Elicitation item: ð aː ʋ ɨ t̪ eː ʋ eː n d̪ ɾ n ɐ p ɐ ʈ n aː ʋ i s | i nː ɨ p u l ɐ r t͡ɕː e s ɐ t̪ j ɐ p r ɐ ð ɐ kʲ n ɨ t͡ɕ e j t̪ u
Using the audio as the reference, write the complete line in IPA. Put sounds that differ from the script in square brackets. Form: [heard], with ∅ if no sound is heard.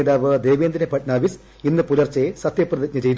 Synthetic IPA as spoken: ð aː ʋ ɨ [d̪] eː ʋ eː n d̪ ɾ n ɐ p ɐ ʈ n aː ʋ i s | i nː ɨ p u l ɐ r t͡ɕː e s ɐ t̪ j ɐ p r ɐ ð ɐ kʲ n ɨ t͡ɕ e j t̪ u